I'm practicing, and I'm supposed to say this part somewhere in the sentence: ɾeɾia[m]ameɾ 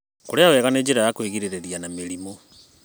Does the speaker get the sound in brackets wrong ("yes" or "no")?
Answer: yes